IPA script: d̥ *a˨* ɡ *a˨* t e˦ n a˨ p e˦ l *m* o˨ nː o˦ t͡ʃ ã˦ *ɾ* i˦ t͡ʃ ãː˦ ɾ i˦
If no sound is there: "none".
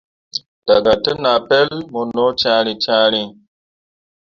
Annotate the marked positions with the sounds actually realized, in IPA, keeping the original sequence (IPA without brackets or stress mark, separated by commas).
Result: a˨, a˨, m, ɾ